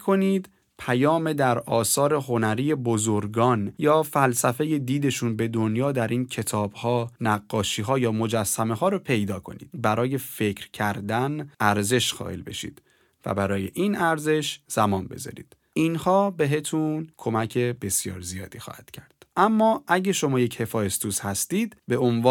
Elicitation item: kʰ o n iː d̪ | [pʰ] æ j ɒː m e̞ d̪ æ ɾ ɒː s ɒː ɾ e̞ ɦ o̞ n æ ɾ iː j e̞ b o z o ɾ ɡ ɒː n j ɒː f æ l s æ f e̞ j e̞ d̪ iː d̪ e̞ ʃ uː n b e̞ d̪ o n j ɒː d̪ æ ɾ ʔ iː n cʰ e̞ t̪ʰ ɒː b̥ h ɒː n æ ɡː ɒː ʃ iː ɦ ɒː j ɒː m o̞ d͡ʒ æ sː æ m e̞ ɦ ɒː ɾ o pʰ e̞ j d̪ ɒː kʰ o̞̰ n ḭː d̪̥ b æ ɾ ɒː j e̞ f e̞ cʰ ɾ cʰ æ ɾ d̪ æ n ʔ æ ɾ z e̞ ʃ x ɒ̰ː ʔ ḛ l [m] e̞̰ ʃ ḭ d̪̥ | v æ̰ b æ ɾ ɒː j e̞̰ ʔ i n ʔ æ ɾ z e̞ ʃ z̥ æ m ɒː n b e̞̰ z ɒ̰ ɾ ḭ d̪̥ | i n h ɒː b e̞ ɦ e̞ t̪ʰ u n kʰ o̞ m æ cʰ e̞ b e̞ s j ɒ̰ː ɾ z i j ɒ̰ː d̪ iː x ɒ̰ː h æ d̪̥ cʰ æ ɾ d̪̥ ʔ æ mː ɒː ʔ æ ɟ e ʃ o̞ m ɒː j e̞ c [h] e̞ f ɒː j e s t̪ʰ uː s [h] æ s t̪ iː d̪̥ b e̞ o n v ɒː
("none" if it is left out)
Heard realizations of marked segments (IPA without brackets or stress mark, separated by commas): pʰ, b, h, h